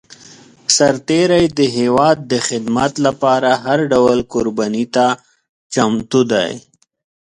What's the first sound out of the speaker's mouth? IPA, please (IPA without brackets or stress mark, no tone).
s